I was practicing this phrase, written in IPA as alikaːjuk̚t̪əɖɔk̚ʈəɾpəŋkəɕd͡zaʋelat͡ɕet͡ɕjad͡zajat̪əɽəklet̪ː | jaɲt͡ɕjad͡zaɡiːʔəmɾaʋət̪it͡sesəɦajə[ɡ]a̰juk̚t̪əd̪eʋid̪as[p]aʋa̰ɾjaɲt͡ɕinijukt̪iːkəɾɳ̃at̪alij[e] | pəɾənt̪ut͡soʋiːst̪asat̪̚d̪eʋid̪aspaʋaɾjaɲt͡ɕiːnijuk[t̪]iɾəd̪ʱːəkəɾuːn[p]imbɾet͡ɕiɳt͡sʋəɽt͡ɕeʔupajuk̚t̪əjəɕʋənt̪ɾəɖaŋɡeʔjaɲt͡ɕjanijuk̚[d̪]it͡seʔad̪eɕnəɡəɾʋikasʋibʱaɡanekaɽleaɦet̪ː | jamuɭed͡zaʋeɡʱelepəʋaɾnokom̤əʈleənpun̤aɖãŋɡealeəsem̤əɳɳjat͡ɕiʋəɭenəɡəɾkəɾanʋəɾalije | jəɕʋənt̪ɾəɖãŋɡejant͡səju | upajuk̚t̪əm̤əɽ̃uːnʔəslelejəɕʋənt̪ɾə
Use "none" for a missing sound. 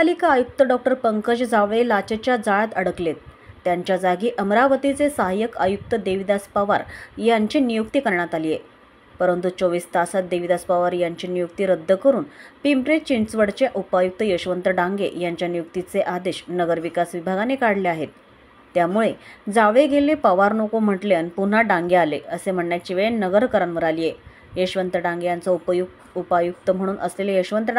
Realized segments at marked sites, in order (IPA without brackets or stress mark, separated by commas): k, p, e, t̪, p, t̪